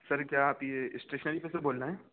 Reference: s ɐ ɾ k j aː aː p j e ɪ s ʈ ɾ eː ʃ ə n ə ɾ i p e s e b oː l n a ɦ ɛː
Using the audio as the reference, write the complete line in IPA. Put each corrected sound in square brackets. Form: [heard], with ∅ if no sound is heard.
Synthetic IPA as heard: s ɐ ɾ k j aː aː p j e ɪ s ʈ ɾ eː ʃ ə n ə ɾ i p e s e b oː l n a ɦ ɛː